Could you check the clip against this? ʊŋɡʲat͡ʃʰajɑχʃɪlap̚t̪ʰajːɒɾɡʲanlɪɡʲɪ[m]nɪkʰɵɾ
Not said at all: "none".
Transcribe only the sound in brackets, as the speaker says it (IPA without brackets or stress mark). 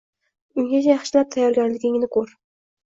ŋ